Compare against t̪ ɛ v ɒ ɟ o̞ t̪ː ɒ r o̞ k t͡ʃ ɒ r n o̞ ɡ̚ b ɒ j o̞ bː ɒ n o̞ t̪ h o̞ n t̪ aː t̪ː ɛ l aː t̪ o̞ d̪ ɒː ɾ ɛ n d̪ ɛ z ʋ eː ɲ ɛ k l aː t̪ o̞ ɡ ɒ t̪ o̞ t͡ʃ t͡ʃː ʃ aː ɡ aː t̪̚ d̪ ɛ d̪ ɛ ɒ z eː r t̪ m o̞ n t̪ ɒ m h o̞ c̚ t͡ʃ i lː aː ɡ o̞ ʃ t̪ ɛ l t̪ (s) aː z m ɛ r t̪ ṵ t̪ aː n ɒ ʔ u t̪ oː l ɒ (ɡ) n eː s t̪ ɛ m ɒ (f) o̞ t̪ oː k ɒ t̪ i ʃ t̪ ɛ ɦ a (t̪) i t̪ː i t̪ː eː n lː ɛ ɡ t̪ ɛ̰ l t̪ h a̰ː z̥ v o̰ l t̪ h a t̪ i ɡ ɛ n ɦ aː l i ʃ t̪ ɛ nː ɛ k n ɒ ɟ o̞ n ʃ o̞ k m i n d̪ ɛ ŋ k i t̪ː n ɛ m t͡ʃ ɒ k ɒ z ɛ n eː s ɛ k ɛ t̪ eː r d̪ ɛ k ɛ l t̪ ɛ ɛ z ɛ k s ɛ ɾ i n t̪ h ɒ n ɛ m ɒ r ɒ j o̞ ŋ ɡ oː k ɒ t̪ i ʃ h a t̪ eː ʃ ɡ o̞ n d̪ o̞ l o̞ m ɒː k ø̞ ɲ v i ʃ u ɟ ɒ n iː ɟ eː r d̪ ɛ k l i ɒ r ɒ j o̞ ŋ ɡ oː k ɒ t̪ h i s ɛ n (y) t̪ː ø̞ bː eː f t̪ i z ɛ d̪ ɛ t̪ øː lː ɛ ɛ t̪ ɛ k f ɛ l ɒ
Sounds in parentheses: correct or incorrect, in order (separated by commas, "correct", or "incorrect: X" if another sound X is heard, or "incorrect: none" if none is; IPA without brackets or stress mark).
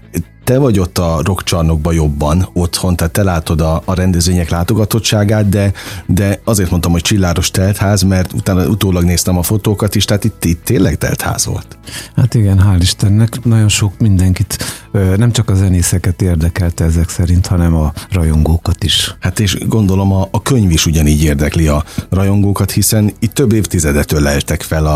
incorrect: h, correct, correct, correct, incorrect: i